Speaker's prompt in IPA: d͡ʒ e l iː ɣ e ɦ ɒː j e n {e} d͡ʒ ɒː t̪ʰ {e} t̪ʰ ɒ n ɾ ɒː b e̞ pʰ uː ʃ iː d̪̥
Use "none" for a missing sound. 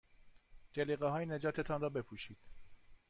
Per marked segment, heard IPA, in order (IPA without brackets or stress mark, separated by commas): e, e